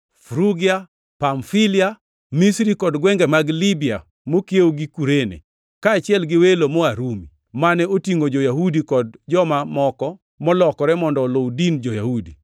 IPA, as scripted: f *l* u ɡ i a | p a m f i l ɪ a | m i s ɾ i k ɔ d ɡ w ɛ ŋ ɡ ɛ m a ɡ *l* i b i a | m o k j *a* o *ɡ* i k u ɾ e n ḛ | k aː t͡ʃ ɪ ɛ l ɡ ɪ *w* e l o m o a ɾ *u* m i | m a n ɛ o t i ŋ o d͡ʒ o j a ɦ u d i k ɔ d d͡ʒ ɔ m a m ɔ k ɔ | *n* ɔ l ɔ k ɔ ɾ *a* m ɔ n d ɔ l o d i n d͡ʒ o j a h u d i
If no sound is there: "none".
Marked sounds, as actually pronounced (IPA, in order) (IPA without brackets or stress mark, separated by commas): ɾ, l, e, ɡ, w, u, m, ɛ